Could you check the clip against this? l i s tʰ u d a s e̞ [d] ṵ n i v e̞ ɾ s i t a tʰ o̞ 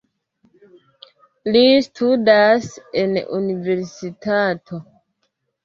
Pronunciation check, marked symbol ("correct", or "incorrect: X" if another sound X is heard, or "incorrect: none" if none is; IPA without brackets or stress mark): incorrect: n